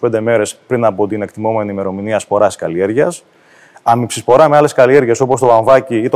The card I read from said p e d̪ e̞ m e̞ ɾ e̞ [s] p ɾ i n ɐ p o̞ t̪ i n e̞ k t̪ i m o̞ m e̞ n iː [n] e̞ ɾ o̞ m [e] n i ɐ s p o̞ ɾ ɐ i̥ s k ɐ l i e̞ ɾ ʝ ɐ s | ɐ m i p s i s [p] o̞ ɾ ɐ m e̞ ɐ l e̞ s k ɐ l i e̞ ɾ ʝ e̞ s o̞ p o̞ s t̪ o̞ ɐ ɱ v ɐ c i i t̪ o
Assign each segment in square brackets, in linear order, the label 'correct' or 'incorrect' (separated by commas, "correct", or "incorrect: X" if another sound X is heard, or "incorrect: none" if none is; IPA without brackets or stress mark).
correct, incorrect: m, incorrect: i, correct